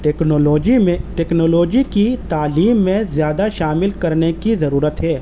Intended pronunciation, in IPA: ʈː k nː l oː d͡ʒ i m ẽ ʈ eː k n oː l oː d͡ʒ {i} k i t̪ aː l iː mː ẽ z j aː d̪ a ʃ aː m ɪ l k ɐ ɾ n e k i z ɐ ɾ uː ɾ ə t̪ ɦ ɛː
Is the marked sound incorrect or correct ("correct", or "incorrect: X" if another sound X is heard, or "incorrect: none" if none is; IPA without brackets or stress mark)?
correct